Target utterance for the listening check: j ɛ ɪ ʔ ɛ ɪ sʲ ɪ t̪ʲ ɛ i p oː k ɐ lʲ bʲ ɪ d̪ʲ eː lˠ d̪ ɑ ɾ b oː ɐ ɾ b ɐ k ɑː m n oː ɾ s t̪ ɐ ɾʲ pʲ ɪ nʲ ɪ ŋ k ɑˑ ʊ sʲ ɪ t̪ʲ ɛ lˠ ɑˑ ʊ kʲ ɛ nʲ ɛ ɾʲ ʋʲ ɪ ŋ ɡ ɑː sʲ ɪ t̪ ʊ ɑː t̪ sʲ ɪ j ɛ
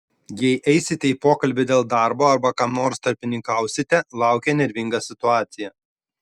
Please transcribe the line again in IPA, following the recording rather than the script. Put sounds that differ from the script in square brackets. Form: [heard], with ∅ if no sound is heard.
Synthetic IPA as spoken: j ɛ ɪ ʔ ɛ ɪ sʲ ɪ t̪ʲ ɛ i p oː k ɐ lʲ bʲ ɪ d̪ʲ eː lˠ d̪ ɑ ɾ b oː ɐ ɾ b ɐ k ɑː m n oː ɾ s t̪ ɐ ɾʲ pʲ ɪ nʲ ɪ ŋ k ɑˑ ʊ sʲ ɪ t̪ʲ ɛ lˠ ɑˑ ʊ kʲ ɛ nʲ ɛ ɾʲ ʋʲ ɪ ŋ ɡ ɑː sʲ ɪ t̪ ʊ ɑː t̪ sʲ ɪ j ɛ